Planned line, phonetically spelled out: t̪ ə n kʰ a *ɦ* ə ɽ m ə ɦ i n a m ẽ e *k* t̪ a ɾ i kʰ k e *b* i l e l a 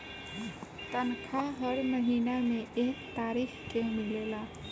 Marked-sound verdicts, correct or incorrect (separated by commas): correct, correct, incorrect